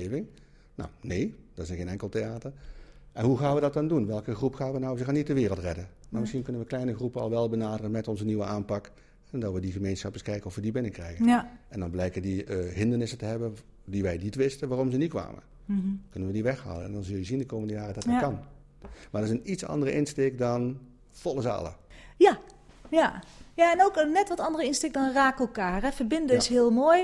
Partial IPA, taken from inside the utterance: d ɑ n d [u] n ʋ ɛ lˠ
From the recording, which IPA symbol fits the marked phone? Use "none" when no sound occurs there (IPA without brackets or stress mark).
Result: u